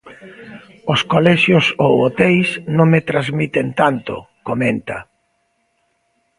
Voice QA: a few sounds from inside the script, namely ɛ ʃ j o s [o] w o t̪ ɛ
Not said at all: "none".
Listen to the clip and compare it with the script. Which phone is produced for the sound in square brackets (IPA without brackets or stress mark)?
o